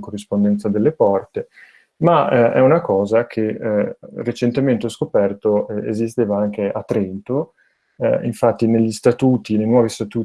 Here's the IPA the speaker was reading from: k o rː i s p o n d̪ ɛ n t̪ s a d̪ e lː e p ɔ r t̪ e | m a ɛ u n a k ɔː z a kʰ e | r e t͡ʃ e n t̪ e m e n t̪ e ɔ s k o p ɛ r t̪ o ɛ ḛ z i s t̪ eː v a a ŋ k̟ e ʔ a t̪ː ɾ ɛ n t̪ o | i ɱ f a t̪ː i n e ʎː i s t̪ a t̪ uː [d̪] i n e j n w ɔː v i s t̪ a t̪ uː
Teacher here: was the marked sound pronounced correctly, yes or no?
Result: no